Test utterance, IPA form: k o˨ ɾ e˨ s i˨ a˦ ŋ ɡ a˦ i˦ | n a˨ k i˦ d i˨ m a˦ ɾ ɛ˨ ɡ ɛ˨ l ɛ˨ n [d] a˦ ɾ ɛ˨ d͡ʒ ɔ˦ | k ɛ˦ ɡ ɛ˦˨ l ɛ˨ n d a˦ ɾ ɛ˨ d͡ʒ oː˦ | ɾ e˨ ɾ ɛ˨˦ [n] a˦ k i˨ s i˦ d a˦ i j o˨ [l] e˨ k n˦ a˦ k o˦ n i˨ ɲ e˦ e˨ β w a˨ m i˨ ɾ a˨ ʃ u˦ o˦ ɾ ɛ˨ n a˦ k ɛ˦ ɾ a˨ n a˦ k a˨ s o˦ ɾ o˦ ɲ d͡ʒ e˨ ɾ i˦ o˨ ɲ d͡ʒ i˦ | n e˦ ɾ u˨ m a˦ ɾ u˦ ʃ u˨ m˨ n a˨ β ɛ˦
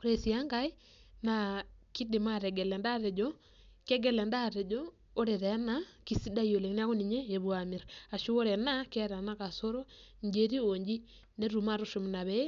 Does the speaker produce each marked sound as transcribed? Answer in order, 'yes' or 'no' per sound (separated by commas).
yes, yes, yes